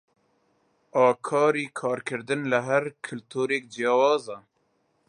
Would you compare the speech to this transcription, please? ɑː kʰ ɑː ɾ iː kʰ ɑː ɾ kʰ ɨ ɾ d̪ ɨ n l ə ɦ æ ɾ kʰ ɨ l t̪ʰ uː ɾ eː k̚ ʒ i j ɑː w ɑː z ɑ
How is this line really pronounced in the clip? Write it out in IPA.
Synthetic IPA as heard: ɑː kʰ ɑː ɾ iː kʰ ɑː ɾ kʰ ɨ ɾ d̪ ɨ n l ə ɦ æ ɾ kʰ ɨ l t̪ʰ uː ɾ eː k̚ d͡ʒ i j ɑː w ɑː z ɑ